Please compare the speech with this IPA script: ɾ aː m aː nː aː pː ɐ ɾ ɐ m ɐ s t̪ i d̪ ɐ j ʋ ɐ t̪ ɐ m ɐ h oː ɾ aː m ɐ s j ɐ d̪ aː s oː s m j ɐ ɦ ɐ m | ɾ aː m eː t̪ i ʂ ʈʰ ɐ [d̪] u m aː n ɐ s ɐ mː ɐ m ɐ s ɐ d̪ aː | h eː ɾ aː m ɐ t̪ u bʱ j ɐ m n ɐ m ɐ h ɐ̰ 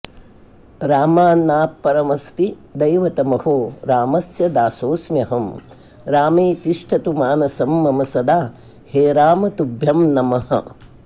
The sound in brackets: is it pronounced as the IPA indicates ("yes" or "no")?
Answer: no